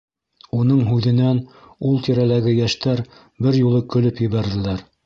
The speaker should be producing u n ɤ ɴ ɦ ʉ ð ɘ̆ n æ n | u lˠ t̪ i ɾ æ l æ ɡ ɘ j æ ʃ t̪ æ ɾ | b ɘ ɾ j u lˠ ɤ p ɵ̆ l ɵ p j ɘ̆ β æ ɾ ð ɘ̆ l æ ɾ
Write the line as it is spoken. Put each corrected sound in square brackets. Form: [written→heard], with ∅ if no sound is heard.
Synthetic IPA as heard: u n ɤ ɴ ɦ ʉ ð ɘ̆ n æ n | u lˠ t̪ i ɾ æ l æ ɡ ɘ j æ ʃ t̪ æ ɾ | b ɘ ɾ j u lˠ ɤ [p→k] ɵ̆ l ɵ p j ɘ̆ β æ ɾ ð ɘ̆ l æ ɾ